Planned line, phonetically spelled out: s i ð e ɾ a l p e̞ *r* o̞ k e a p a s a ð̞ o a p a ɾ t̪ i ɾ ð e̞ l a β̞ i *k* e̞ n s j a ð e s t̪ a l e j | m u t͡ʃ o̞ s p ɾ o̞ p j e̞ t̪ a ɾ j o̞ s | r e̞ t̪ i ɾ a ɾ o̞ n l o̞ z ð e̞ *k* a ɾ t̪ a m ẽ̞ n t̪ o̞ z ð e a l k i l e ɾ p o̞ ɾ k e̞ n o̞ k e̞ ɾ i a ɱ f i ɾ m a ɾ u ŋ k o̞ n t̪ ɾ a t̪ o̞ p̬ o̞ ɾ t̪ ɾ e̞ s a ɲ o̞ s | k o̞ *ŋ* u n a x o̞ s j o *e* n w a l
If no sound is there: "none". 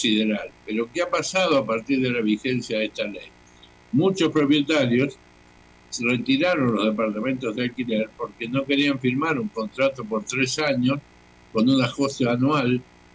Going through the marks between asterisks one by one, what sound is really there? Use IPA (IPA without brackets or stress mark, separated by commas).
ɾ, x, p, n, a